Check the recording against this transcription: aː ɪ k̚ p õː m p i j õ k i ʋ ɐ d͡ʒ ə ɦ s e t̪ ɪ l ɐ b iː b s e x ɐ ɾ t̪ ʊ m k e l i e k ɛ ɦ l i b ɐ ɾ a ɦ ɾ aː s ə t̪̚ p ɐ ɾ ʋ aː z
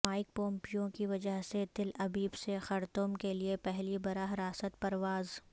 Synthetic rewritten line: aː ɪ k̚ p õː m p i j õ k i ʋ ɐ d͡ʒ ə ɦ s e t̪ ɪ l ɐ b iː b s e x ɐ ɾ t̪ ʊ m k e l i e p ɛ ɦ l i b ɐ ɾ a ɦ ɾ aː s ə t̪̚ p ɐ ɾ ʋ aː z